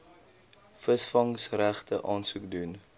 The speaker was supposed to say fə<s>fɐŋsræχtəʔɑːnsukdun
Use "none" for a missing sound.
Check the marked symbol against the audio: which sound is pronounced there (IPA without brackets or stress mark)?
s